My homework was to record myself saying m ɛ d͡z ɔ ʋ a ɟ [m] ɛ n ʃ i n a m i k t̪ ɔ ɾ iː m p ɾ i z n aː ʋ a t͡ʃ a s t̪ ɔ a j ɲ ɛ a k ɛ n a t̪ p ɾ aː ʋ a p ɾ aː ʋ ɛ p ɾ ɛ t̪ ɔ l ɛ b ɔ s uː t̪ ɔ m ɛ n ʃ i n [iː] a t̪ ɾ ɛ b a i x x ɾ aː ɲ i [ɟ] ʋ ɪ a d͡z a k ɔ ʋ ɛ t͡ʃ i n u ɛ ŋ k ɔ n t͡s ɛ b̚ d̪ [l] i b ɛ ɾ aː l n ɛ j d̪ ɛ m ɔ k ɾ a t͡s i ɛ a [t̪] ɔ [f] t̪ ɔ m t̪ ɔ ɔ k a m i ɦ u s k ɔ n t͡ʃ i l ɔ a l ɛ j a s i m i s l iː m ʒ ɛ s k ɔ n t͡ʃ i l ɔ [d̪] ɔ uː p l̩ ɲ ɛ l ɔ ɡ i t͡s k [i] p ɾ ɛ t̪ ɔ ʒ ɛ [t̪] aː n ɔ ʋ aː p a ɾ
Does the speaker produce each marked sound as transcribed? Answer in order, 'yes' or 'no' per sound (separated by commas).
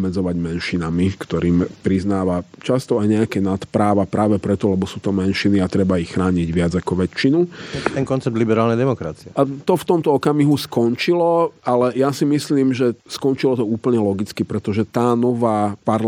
yes, no, yes, yes, yes, yes, no, yes, yes